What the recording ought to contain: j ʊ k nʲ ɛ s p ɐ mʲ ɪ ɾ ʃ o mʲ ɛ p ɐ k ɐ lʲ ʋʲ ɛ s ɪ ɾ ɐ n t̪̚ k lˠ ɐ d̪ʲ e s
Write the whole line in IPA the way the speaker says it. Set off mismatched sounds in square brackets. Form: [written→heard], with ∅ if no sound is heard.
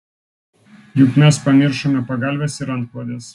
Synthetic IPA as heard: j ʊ k [nʲ→mʲ] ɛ s p ɐ mʲ ɪ ɾ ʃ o mʲ ɛ p ɐ [k→ɡ] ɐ lʲ ʋʲ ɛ s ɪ ɾ ɐ n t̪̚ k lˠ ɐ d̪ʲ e s